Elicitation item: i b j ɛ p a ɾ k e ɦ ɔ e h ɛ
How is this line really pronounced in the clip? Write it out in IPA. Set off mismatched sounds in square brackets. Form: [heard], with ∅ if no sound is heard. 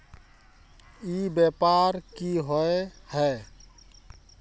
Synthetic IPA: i b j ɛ p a ɾ k [i] ɦ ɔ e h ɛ